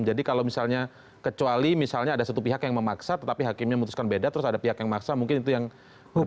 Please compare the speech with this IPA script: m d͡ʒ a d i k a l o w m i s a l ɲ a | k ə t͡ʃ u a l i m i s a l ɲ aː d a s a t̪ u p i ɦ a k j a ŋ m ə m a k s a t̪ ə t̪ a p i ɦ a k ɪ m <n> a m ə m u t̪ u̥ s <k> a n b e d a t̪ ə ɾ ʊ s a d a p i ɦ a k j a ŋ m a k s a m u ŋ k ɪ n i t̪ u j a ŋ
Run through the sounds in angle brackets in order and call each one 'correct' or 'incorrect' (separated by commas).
incorrect, correct